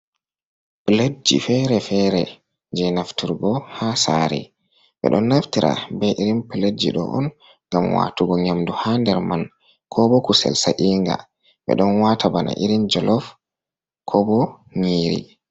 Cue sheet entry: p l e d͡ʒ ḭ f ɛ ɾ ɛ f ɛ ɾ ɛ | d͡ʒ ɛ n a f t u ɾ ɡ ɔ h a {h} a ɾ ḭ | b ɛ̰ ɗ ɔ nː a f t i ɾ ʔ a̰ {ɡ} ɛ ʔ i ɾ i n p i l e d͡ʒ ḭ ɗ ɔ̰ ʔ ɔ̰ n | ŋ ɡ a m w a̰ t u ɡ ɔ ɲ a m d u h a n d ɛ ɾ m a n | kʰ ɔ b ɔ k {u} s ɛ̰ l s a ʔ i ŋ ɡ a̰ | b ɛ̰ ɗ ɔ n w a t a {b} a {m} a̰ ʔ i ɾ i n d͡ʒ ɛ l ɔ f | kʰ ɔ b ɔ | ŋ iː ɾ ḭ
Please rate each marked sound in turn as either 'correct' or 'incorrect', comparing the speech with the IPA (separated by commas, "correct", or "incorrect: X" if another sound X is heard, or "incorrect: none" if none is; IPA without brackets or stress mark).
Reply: incorrect: s, incorrect: b, correct, correct, incorrect: n